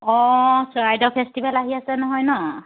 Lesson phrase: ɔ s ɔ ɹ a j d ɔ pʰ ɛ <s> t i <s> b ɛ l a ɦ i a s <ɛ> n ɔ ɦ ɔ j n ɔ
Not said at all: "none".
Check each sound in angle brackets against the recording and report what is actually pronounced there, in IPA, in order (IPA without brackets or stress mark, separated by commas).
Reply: s, none, ɛ